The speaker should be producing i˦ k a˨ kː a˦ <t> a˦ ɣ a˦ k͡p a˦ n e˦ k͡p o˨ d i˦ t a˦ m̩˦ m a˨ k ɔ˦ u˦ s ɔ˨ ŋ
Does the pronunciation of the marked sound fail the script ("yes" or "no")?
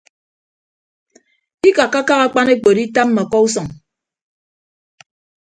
yes